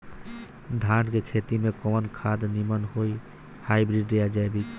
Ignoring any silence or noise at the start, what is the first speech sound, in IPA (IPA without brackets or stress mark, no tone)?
d̪ʱ